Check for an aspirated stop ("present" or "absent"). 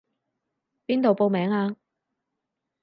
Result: absent